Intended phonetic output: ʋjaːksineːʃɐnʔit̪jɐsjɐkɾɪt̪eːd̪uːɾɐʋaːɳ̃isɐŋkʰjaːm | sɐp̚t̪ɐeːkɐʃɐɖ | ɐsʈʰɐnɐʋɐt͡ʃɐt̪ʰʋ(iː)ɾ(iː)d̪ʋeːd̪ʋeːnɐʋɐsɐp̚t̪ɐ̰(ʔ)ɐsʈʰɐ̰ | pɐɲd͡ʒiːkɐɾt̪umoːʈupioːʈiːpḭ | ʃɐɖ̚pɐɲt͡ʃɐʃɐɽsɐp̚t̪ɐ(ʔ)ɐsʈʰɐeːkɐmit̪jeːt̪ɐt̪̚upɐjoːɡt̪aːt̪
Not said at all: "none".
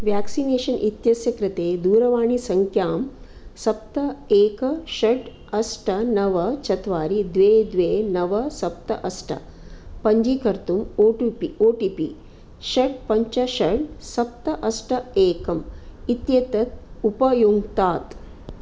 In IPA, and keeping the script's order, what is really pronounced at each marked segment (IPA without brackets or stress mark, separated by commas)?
aː, i, ʔ, ʔ